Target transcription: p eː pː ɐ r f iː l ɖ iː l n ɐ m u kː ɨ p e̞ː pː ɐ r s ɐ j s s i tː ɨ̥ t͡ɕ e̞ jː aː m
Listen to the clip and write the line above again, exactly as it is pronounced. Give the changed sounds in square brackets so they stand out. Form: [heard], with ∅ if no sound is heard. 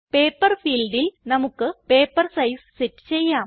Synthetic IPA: p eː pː ɐ r f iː l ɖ [i] l n ɐ m u kː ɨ p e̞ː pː ɐ r s ɐ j s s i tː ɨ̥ t͡ɕ e̞ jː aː m